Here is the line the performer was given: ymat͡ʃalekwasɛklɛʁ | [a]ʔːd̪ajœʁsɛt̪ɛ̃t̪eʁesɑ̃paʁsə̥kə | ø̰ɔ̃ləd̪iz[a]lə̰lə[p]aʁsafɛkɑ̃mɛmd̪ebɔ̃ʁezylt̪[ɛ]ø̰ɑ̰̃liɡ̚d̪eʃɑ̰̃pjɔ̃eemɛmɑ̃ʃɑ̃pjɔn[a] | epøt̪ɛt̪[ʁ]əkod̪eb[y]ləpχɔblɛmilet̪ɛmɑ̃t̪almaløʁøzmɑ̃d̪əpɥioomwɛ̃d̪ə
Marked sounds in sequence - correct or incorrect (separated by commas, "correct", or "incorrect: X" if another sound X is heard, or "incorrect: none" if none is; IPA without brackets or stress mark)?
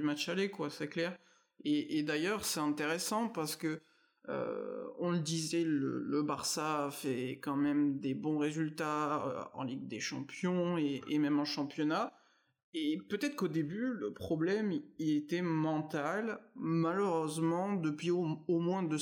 incorrect: e, incorrect: ɛ, incorrect: b, incorrect: a, correct, incorrect: χ, correct